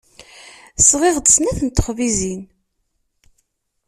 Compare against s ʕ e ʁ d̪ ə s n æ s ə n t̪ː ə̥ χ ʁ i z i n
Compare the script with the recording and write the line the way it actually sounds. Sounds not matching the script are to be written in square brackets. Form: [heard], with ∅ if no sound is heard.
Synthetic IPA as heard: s [ʁ] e ʁ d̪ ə s n æ [θ] ə n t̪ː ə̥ χ [v] i z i n

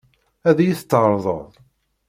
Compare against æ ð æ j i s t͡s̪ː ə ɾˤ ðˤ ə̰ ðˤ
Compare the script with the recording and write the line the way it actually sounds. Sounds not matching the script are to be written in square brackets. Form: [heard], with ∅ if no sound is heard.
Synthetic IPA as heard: æ ð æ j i [θ] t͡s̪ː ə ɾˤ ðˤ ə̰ ðˤ

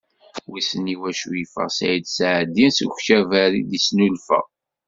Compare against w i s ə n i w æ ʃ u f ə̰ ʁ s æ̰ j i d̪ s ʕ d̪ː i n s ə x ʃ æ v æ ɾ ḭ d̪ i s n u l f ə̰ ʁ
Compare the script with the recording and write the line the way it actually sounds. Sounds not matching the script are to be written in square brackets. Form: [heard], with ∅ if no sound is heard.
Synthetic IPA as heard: w i s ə n i w æ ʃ u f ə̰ ʁ s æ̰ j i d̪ s ʕ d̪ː i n s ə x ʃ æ v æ ɾ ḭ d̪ i s n u l f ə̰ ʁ

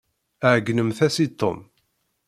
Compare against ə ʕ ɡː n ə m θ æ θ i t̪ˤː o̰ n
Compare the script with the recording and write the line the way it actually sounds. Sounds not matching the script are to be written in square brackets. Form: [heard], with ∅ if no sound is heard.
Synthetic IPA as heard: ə ʕ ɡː n ə m θ æ [s] i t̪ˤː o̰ [m]

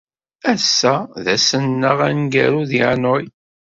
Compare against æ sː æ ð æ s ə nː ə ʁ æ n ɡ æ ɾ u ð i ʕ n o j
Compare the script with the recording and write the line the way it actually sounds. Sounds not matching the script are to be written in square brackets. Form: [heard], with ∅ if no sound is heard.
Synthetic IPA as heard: æ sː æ ð æ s ə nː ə ʁ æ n ɡ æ ɾ u ð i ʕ n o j

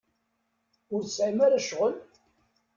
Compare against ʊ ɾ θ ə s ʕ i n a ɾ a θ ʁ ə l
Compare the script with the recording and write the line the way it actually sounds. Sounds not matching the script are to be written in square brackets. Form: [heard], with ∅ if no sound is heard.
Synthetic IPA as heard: ʊ ɾ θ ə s ʕ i [m] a ɾ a [ʃ] ʁ ə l

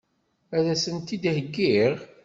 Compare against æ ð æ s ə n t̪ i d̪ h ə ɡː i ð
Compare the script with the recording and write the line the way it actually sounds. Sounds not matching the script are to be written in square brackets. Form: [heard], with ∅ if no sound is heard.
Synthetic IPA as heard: æ ð æ s ə n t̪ i d̪ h ə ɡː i [ʁ]

